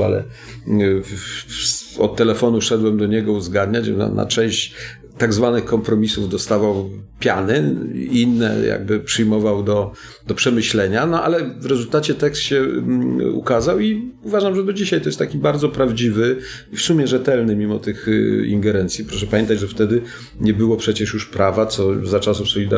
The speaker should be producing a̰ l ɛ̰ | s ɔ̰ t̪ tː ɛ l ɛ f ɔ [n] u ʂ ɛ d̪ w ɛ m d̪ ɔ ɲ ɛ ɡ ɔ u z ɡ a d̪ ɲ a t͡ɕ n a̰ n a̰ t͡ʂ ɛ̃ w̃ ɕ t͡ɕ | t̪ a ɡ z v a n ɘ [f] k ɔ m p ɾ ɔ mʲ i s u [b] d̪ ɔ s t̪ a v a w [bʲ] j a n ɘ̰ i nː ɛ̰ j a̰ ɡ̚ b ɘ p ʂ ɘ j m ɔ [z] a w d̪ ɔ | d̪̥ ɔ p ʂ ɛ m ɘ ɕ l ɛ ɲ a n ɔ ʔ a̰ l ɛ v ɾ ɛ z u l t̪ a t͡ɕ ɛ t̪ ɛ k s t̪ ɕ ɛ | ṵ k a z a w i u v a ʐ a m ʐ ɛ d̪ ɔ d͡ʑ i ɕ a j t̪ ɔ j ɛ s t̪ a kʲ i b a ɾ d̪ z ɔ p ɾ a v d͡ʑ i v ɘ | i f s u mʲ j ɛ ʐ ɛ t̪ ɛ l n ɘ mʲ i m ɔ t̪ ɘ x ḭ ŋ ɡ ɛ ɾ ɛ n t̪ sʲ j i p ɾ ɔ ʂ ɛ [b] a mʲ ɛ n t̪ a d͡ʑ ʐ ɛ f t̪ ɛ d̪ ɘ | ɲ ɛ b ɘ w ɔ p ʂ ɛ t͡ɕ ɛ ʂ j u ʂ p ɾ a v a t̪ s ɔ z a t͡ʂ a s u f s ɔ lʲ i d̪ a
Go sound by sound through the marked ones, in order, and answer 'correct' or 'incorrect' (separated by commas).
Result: correct, incorrect, incorrect, incorrect, incorrect, incorrect